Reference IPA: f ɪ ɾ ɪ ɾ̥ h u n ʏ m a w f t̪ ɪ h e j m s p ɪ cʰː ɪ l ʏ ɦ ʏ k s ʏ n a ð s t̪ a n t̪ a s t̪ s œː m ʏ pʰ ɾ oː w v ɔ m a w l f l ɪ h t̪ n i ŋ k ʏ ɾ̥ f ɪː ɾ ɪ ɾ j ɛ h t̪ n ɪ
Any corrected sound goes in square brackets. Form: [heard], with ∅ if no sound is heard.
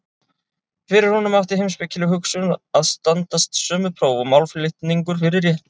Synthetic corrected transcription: f ɪ ɾ ɪ ɾ̥ h u n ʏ m a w f t̪ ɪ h e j m s p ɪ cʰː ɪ l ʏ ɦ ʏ k s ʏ n a ð s t̪ a n t̪ a s t̪ s œː m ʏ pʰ ɾ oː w v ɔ m a w l f l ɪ h t̪ n i ŋ k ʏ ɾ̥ f [ɪ] ɾ ɪ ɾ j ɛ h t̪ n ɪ